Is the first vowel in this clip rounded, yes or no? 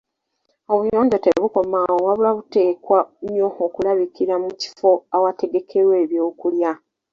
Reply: yes